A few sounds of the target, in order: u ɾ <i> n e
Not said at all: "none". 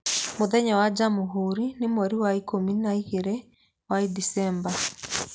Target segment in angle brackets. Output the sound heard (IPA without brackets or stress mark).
i